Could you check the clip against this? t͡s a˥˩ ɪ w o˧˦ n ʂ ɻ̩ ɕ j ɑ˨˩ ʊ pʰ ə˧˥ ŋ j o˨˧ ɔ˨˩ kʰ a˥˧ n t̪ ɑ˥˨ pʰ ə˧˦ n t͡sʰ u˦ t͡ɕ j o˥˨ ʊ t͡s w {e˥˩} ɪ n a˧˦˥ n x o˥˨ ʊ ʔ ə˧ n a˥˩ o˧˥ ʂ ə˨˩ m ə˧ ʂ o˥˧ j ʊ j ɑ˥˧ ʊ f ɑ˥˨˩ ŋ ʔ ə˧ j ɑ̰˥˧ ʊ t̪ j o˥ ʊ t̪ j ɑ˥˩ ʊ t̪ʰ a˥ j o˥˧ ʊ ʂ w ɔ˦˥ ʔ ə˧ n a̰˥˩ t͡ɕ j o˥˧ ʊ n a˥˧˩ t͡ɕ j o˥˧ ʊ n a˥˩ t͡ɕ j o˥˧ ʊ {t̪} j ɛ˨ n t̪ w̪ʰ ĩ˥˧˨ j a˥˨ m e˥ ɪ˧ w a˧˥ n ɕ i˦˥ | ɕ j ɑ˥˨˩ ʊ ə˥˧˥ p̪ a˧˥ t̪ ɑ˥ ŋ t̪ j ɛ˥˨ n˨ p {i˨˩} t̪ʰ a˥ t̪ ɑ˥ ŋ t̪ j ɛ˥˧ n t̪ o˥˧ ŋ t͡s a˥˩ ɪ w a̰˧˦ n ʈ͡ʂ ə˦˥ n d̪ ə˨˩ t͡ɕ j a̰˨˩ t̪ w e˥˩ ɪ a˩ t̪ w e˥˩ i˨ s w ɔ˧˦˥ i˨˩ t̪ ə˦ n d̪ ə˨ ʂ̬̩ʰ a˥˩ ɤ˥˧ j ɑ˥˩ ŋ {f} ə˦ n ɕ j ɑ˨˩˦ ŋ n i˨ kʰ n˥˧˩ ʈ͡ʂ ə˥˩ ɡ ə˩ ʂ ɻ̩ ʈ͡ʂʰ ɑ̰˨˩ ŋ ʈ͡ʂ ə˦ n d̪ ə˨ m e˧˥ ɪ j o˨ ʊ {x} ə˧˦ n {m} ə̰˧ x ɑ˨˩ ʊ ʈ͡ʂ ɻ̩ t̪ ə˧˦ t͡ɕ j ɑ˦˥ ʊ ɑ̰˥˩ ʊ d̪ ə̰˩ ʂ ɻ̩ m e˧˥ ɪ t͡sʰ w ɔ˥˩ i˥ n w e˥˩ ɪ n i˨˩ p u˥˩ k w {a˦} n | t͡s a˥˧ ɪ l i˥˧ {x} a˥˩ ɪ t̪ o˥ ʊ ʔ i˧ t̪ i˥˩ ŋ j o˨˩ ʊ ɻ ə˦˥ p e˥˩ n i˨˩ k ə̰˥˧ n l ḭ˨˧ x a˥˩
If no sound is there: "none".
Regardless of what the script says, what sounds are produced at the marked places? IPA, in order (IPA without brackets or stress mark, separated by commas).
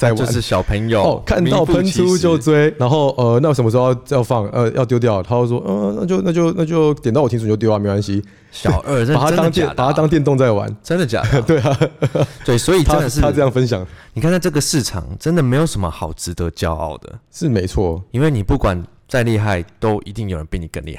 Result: e˥, t̪, a˨˩, f, ʂ, m, a˨˩, x